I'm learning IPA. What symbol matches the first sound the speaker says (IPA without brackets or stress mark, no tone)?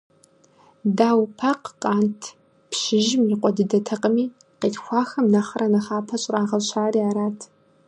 d